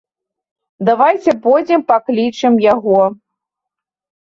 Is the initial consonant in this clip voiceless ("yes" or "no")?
no